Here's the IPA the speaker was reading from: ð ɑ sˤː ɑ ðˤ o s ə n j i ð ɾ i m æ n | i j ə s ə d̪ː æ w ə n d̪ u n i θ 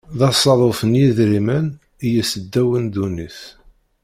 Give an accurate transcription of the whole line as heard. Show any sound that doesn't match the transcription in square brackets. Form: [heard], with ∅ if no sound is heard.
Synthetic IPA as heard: ð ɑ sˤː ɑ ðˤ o [f] ə n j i ð ɾ i m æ n | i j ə s ə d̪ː æ w ə n d̪ u n i θ